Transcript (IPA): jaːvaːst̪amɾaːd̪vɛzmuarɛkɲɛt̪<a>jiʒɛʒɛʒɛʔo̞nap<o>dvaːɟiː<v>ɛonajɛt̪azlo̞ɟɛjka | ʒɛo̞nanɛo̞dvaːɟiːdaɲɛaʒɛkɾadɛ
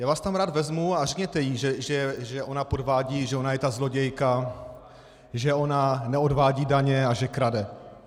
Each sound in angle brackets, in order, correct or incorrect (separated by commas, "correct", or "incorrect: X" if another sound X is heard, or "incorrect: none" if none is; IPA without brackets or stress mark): incorrect: ɛ, correct, incorrect: ʒ